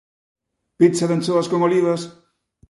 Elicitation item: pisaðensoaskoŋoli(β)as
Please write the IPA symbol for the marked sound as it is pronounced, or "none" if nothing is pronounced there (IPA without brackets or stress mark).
β